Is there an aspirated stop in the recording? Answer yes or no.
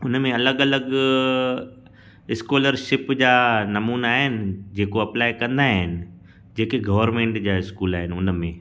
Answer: no